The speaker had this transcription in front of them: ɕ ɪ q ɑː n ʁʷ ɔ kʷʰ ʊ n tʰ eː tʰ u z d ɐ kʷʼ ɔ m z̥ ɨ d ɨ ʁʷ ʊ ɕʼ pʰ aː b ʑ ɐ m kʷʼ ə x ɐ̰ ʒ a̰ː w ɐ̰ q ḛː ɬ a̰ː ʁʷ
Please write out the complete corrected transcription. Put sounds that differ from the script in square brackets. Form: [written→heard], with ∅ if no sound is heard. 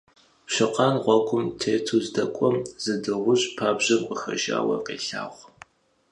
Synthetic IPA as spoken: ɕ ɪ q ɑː n ʁʷ ɔ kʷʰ ʊ [n→m] tʰ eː tʰ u z d ɐ kʷʼ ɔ m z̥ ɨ d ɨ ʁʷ ʊ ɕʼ pʰ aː b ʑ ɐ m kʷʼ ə x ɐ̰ ʒ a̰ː w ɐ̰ q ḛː ɬ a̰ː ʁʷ